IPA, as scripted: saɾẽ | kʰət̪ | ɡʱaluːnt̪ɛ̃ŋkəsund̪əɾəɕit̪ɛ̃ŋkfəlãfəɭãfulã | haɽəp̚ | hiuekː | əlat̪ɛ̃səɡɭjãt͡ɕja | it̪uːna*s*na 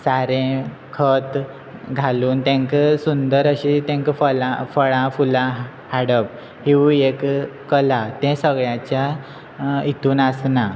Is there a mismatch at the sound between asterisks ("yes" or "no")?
no